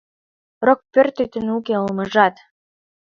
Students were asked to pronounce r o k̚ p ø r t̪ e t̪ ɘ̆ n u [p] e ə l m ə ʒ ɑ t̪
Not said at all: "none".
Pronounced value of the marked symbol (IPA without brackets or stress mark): k